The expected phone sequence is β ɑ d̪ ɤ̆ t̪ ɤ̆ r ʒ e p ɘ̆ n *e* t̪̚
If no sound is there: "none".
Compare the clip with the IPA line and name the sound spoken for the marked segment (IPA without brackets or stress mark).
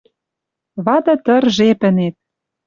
e